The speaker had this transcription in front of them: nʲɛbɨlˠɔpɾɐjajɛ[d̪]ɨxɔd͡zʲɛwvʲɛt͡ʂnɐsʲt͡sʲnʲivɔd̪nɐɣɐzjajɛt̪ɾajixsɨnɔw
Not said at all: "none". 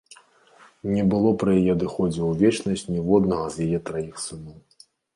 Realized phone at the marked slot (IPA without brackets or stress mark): d̪